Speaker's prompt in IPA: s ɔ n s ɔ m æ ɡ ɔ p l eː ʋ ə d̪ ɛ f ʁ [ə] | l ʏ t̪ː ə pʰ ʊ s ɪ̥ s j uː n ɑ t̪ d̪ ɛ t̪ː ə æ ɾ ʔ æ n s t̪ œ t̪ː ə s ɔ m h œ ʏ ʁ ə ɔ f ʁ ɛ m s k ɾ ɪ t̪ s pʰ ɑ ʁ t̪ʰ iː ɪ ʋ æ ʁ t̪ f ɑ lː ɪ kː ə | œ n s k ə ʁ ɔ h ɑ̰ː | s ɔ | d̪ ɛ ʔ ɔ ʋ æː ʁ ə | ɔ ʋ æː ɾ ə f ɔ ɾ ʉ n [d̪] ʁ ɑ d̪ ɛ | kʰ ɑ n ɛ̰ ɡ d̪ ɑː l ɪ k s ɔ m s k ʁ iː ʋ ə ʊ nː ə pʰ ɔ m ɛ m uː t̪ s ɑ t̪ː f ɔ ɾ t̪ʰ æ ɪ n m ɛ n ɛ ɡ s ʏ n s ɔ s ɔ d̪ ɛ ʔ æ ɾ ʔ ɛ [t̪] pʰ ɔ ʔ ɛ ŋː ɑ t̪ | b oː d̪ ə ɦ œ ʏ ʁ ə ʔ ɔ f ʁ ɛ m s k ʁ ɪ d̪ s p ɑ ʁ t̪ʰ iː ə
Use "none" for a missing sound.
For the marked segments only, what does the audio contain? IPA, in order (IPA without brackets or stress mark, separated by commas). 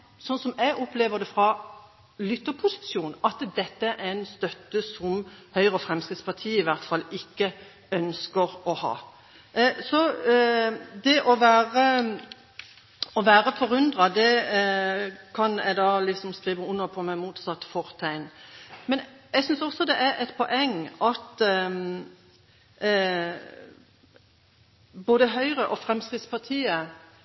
ɑ, d̪, t̪